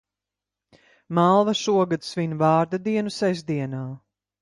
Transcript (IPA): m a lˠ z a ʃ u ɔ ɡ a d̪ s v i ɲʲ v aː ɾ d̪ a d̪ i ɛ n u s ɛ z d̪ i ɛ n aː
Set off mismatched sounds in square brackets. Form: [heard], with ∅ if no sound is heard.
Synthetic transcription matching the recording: m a lˠ [v] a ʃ u ɔ ɡ a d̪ s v i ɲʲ v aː ɾ d̪ a d̪ i ɛ n u s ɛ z d̪ i ɛ n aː